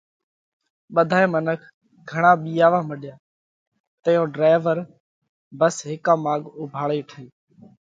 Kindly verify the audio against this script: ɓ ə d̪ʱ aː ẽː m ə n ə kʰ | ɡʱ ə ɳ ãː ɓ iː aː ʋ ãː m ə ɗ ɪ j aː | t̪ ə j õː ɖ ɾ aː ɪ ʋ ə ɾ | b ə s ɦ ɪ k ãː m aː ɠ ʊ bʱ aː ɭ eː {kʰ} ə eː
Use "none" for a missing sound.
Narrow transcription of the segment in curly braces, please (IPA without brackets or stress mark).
ʈʰ